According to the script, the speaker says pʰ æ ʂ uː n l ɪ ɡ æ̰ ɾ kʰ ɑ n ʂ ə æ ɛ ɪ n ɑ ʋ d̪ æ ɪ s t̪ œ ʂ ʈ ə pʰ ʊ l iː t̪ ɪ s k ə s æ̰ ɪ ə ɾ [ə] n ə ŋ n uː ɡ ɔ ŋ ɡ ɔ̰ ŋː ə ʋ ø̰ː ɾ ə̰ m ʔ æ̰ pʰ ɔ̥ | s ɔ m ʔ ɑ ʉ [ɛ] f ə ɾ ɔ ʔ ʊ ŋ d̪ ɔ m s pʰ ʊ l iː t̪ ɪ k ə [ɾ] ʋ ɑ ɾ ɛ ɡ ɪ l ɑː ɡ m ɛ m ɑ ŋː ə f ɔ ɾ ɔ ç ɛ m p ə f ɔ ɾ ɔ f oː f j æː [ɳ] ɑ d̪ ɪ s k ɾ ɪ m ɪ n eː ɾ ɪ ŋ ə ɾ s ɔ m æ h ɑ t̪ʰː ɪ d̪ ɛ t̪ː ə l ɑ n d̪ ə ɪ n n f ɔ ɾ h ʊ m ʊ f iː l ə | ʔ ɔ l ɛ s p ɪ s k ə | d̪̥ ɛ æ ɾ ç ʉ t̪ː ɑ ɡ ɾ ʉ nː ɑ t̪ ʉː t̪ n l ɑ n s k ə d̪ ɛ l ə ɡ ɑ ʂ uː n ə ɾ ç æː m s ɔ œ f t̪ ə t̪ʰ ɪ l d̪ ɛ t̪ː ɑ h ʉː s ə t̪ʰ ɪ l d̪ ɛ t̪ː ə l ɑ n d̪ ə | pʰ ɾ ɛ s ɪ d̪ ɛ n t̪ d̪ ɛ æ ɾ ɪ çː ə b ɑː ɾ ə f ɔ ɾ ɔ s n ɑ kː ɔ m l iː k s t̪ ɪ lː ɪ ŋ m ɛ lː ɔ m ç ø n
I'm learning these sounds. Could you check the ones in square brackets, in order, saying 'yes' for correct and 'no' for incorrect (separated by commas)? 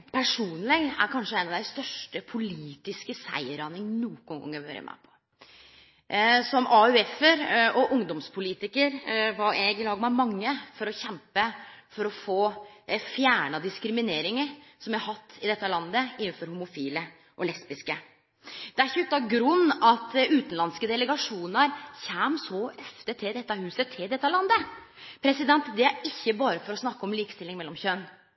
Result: no, yes, yes, yes